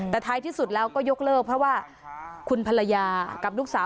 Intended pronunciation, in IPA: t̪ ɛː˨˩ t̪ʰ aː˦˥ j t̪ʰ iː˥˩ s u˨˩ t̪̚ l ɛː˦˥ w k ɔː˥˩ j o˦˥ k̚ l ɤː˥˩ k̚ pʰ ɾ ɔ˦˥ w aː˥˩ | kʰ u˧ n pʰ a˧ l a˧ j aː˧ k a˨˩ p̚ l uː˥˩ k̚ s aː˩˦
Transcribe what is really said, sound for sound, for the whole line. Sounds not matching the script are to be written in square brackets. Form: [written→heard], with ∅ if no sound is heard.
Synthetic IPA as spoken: t̪ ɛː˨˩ t̪ʰ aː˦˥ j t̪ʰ iː˥˩ s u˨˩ t̪̚ l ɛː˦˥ w k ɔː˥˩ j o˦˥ k̚ l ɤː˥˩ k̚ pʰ ɾ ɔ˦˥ w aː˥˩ | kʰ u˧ n pʰ a˧ l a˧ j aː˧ k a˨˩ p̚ l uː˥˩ k̚ s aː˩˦